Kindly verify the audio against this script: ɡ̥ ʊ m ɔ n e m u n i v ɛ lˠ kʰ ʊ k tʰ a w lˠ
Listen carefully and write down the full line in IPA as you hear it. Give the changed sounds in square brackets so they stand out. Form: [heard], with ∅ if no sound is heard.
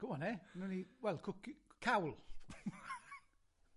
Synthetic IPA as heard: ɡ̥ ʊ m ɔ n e [n] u n i [w] ɛ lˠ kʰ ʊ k [kʰ] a w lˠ